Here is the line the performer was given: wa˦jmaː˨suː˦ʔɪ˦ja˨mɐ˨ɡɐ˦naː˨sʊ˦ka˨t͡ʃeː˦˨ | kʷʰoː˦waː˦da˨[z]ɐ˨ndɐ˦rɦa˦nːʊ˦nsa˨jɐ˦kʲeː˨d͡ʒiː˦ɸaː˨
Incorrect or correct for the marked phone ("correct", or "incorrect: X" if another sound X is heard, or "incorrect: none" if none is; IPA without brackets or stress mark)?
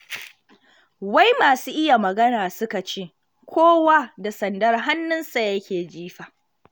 incorrect: s